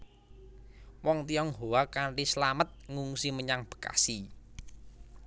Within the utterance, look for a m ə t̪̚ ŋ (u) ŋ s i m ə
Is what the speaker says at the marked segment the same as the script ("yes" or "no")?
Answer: yes